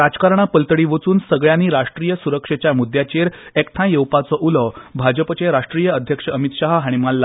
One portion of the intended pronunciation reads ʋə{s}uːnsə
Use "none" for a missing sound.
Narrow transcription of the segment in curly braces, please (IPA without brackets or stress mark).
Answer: t͡s